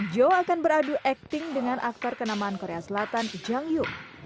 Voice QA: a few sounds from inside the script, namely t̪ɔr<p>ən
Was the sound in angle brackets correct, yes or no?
no